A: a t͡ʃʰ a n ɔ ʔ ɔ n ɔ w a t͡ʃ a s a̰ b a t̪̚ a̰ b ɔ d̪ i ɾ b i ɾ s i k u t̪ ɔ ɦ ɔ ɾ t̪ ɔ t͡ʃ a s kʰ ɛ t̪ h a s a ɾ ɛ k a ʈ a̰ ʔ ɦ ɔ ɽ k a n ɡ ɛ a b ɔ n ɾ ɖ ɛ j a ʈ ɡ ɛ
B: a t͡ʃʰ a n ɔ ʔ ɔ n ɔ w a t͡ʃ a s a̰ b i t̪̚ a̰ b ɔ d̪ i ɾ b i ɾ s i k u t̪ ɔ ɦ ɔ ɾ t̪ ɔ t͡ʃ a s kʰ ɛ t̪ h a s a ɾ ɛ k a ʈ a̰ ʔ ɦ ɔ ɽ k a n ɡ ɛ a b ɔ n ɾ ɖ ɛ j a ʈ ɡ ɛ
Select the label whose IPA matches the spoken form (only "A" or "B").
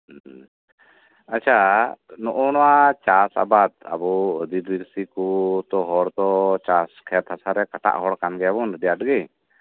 A